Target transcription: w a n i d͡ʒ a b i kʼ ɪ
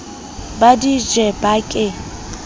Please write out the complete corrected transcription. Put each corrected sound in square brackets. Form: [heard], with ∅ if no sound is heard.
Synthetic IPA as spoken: [b] a [d] i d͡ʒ [ɛ] b [a] kʼ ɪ